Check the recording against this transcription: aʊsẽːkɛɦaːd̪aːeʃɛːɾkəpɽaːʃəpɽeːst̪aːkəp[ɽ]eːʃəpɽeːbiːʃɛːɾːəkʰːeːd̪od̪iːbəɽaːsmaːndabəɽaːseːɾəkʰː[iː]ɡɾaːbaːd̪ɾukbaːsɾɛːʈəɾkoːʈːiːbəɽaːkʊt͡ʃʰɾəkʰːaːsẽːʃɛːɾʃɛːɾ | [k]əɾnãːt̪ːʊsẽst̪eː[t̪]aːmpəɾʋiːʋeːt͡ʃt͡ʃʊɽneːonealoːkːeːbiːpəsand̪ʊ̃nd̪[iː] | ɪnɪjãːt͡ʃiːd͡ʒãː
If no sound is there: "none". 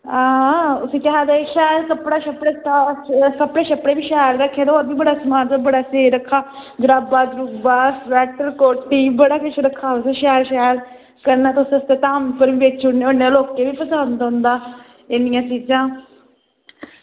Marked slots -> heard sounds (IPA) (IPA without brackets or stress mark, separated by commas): ɽ, aː, k, t̪, aː